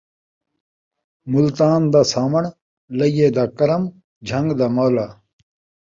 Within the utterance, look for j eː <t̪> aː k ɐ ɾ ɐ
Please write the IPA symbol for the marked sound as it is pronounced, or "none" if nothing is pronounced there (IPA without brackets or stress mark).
d̪